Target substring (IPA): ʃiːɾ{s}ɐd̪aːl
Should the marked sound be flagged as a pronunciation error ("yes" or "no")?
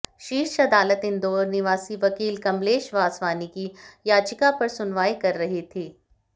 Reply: yes